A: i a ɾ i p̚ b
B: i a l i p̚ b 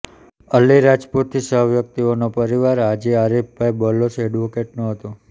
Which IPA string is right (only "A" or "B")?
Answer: A